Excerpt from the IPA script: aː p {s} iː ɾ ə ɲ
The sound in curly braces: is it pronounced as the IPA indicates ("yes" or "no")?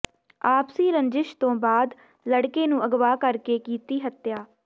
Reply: yes